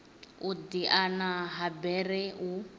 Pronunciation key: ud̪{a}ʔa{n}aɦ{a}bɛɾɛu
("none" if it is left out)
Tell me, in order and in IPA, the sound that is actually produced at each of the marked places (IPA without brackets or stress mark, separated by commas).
i, n, a